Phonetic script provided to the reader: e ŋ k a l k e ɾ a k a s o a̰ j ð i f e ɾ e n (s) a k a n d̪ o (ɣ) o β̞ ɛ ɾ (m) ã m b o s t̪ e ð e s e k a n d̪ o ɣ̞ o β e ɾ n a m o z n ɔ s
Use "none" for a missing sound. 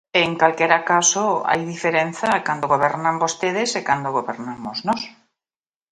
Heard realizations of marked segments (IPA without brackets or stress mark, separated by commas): θ, ɣ, n